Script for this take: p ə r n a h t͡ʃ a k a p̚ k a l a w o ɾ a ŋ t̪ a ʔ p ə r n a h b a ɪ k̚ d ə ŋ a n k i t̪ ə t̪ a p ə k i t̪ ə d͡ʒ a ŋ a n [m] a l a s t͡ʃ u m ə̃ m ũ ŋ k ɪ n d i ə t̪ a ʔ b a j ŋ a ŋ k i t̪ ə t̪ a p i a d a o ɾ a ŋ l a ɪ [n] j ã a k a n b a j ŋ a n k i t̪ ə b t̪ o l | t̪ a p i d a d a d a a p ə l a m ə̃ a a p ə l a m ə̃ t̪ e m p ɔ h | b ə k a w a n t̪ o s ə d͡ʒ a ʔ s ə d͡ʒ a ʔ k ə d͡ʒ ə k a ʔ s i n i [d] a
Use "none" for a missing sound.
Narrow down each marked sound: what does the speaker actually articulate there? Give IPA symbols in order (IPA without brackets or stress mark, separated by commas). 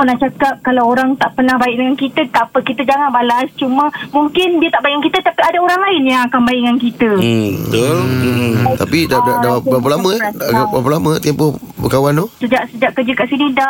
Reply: b, n, d